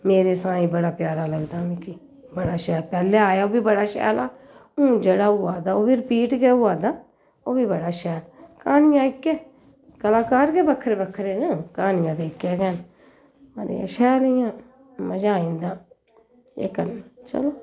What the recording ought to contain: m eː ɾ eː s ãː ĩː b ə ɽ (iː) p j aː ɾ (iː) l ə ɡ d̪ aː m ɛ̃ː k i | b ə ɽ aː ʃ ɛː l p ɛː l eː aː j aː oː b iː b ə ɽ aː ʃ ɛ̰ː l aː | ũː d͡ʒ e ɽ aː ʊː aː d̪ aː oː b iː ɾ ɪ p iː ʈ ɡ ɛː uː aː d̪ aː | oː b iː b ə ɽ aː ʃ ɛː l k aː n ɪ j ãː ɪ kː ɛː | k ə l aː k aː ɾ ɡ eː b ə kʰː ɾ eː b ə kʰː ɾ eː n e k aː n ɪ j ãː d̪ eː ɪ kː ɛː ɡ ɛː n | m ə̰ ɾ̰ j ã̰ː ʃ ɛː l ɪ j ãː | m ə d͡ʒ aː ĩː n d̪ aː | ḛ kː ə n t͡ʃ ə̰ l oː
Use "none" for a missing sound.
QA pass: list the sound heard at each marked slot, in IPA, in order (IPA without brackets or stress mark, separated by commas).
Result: aː, aː